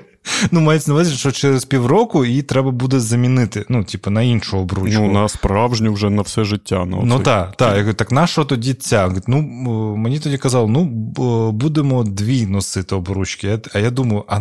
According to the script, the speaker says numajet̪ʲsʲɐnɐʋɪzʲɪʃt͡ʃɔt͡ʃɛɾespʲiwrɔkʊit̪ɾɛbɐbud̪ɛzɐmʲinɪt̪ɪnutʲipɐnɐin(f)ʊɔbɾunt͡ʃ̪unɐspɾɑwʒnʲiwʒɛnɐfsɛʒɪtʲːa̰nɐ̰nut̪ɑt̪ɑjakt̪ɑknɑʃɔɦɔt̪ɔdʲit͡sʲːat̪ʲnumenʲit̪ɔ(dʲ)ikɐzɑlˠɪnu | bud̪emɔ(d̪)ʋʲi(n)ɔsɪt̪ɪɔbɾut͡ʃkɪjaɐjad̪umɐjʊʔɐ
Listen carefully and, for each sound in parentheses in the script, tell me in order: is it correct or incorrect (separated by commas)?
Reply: incorrect, correct, correct, correct